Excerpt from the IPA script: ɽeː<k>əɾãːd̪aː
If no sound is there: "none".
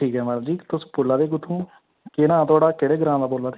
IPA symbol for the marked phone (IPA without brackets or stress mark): ɡ